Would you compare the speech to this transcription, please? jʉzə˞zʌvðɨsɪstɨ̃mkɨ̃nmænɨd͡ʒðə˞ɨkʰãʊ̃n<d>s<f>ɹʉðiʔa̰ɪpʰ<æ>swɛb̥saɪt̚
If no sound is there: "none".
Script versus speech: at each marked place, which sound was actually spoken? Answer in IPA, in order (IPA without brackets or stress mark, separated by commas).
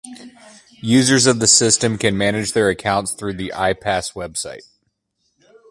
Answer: t, θ, æ